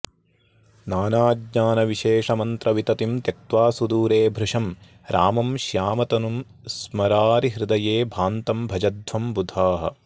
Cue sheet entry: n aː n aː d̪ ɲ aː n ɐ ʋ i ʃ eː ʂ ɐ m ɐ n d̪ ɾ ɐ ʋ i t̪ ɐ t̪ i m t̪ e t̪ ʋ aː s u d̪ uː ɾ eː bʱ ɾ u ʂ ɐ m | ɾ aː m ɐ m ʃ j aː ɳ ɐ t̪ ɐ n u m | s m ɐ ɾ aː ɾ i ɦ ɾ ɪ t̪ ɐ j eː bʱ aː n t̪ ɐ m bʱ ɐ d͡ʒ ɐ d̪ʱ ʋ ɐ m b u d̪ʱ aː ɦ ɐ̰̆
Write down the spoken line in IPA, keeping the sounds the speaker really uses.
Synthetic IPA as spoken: n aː n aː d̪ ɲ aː n ɐ ʋ i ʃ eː ʂ ɐ m ɐ n t̪ ɾ ɐ ʋ i t̪ ɐ t̪ i m t̪ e t̪ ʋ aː s u d̪ uː ɾ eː bʱ ɾ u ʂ ɐ m | ɾ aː m ɐ m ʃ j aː m ɐ t̪ ɐ n u m | s m ɐ ɾ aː ɾ i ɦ ɾ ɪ d̪ ɐ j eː bʱ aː n t̪ ɐ m bʱ ɐ d͡ʒ ɐ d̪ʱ ʋ ɐ m b u d̪ʱ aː ɦ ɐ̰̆